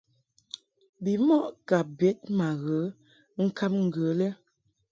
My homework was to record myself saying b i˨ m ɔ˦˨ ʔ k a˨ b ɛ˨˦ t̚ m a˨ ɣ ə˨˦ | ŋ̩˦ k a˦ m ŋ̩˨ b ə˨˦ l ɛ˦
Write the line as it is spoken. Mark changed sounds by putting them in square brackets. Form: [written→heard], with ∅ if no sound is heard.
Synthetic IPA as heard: b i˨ m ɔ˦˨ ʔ k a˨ b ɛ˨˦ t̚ m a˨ ɣ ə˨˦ | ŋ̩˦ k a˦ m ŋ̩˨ [b→ɡ] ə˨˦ l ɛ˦